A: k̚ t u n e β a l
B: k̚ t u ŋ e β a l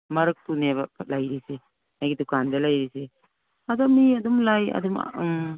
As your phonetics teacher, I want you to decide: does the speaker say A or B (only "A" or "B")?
A